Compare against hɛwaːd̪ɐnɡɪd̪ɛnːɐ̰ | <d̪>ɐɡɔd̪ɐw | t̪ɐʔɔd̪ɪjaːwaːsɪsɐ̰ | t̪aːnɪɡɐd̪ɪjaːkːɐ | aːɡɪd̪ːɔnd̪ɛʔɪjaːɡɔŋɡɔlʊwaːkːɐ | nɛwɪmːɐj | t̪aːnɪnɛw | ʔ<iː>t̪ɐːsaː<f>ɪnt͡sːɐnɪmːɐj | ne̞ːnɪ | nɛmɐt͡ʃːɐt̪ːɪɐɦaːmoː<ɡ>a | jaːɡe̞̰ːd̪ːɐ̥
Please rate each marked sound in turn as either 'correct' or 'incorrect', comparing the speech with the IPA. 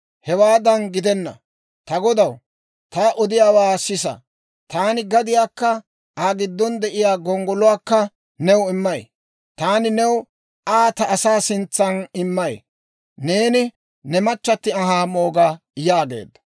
incorrect, incorrect, incorrect, correct

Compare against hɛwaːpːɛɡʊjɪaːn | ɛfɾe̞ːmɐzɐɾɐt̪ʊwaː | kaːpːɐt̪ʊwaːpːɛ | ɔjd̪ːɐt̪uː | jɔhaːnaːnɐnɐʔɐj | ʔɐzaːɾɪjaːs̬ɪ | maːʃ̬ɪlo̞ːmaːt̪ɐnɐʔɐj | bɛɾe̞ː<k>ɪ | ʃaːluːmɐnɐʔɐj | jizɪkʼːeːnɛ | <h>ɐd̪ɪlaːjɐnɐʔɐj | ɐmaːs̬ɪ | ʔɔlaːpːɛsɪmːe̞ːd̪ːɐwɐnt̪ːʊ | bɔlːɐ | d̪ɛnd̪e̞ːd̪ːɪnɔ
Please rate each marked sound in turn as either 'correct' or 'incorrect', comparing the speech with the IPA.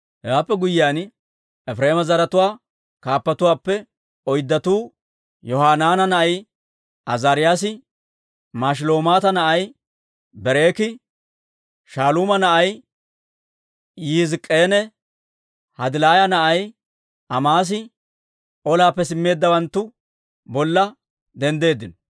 correct, correct

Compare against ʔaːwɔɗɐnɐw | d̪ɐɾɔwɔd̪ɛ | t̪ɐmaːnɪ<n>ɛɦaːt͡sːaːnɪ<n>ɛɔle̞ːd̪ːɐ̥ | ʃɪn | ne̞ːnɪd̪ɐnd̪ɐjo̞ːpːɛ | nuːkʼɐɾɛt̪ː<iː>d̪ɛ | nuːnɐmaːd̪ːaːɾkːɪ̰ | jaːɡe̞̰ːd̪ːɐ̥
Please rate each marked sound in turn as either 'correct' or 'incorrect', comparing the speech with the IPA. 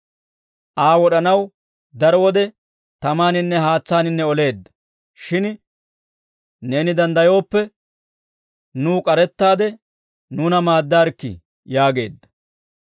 incorrect, incorrect, incorrect

